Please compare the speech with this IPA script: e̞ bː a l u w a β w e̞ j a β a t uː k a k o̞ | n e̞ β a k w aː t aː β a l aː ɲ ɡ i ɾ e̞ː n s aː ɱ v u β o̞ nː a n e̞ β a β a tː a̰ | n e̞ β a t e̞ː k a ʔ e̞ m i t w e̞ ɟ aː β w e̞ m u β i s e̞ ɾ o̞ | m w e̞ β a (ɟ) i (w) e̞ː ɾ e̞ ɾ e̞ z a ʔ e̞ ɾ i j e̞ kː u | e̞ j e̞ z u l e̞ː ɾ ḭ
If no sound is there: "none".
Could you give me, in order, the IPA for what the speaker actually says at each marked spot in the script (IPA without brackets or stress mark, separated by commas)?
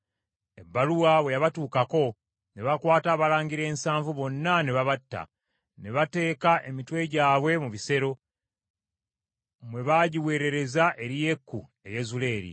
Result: ɟ, w